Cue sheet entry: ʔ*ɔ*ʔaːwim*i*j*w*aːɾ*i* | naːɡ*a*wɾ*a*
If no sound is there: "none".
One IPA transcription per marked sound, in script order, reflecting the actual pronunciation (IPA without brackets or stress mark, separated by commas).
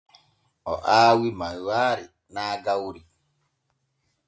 ɔ, a, w, i, a, i